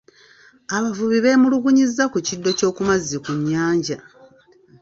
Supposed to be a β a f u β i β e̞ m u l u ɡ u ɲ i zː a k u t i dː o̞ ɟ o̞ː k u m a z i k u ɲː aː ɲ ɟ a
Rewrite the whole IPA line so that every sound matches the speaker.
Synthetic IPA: a β a v u β i β e̞ m u l u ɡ u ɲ i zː a k u c i dː o̞ c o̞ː k u m a z i k u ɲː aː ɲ ɟ a